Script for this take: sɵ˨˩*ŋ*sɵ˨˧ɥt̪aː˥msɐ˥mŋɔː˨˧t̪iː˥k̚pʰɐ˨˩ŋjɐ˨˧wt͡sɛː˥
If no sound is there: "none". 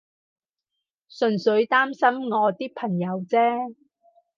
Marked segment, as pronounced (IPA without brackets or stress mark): n